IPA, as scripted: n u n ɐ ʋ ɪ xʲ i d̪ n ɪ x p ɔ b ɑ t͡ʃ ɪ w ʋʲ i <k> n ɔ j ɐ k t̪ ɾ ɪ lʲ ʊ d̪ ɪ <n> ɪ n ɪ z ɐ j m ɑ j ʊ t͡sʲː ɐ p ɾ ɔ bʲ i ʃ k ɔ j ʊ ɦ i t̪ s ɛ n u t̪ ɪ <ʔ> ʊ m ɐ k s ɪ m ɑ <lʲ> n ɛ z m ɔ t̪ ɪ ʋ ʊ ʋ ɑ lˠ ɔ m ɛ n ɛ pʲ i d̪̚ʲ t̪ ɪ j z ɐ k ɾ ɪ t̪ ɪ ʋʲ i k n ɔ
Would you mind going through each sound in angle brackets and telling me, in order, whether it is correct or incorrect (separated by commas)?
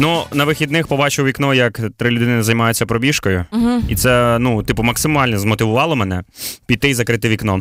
correct, correct, incorrect, correct